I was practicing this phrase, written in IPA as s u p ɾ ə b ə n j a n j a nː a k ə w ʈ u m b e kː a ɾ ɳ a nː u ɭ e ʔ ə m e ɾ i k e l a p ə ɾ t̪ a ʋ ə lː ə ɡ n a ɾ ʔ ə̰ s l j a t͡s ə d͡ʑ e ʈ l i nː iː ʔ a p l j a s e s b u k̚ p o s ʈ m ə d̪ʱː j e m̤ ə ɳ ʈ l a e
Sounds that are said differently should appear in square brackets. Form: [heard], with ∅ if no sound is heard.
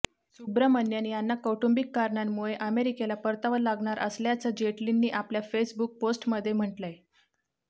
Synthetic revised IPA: s u [b] ɾ ə [m] ə n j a n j a nː a k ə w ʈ u m b [i] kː a ɾ ɳ a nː u ɭ e ʔ ə m e ɾ i k e l a p ə ɾ t̪ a ʋ ə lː [a] ɡ [ɳ] a ɾ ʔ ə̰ s l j a t͡s ə d͡ʑ e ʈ l i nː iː ʔ a p l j a [f] e s b u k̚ p o s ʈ m ə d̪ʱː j e m̤ ə ɳ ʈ l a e

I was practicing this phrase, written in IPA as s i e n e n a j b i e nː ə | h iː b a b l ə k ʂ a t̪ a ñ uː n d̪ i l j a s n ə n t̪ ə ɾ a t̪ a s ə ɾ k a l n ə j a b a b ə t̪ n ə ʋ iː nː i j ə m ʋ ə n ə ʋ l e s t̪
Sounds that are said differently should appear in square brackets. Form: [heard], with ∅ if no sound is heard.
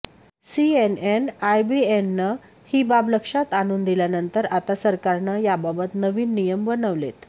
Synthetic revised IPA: s i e n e n a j b i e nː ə | h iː b a b l ə k ʂ a t̪ a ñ uː n d̪ i l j a [∅] n ə n t̪ ə ɾ a t̪ a s ə ɾ k a [ɾ] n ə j a b a b ə t̪ n ə ʋ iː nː i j ə m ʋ ə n ə ʋ l e [∅] t̪

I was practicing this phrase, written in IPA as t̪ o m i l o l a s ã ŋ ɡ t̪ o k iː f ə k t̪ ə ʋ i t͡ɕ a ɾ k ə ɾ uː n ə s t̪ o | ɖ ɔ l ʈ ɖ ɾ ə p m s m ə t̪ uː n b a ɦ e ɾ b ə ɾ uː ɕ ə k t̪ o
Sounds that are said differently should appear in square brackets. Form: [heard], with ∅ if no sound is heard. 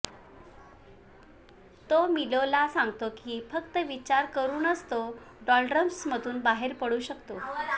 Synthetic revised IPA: t̪ o m i l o l a s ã ŋ ɡ t̪ o k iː f ə k t̪ ə ʋ i t͡ɕ a ɾ k ə ɾ uː n ə s t̪ o | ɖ ɔ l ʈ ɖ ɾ ə [∅] m s m ə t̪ uː n b a ɦ e ɾ [p] ə [ɽ] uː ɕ ə k t̪ o

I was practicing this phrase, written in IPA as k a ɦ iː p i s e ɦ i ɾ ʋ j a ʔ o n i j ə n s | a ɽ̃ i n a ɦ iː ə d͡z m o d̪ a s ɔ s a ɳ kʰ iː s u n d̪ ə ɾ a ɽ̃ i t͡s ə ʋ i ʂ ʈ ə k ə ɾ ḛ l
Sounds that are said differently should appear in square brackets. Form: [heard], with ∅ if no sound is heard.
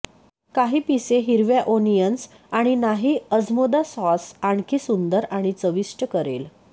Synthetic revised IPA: k a ɦ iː p i s e ɦ i ɾ ʋ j a ʔ o n i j ə n s | a ɽ̃ i n a ɦ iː ə d͡z m o d̪ a s ɔ s a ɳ kʰ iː s u n d̪ ə ɾ a ɽ̃ i t͡s ə ʋ i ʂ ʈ ə k ə ɾ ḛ l

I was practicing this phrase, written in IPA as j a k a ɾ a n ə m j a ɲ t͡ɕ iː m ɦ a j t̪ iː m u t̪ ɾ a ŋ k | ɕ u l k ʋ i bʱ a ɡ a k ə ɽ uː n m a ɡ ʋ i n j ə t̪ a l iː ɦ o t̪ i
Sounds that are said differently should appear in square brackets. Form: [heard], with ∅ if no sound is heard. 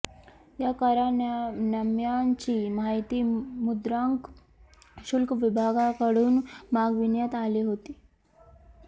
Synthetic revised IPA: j a k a ɾ a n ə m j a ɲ t͡ɕ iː m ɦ a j t̪ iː m u [d̪] ɾ a ŋ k | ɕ u l k ʋ i bʱ a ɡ a k ə ɽ uː n m a ɡ ʋ i n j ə t̪ a l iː ɦ o t̪ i

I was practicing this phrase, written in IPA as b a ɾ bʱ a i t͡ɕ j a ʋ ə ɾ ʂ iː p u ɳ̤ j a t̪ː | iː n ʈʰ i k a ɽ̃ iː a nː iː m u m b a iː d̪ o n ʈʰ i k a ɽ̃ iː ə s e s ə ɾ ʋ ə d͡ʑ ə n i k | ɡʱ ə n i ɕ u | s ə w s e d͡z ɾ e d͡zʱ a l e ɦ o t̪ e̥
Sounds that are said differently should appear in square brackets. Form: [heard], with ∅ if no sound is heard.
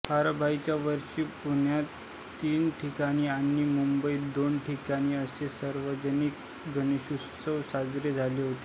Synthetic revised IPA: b a ɾ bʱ a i t͡ɕ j a ʋ ə ɾ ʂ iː p u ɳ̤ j a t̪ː | iː n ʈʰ i k a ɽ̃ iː a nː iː m u m b [ə] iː d̪ o n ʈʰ i k a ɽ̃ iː ə s e s ə ɾ ʋ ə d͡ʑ ə n i k | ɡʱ ə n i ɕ u | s ə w s [a] d͡z ɾ e d͡zʱ a l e ɦ o t̪ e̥

